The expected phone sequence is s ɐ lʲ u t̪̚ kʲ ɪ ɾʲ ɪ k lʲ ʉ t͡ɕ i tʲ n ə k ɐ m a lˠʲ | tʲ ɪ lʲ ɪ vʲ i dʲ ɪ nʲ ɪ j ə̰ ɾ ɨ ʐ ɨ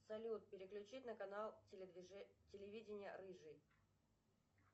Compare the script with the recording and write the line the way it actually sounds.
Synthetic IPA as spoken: s ɐ lʲ u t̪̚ pʲ ɪ ɾʲ ɪ k lʲ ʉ t͡ɕ i tʲ n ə k ɐ n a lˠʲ | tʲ ɪ lʲ ɪ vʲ i dʲ ɪ nʲ ɪ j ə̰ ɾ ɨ ʐ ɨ